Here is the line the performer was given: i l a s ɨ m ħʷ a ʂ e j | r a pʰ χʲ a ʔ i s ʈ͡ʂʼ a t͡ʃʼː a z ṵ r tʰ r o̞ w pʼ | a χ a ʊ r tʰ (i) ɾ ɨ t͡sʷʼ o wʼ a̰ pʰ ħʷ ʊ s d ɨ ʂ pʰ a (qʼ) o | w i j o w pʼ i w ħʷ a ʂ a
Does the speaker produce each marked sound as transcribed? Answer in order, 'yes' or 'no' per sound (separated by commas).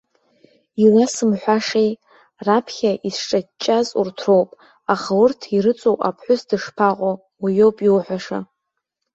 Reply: yes, yes